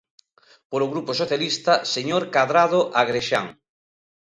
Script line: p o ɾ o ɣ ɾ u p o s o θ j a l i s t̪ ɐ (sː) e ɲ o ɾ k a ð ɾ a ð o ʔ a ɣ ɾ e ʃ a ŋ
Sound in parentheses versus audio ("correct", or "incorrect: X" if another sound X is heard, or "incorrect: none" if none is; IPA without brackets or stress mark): incorrect: s